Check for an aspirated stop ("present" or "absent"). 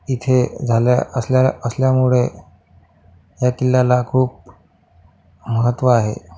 present